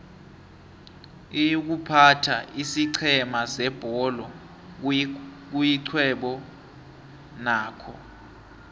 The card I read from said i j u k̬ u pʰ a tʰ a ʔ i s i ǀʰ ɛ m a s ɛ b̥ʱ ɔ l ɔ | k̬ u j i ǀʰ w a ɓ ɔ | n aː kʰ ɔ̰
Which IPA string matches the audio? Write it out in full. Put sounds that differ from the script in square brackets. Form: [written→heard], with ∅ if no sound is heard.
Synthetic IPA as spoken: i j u k̬ u pʰ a tʰ a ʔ i s i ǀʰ ɛ m a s ɛ b̥ʱ ɔ l ɔ | k̬ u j i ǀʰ w [a→ɛ] ɓ ɔ | n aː kʰ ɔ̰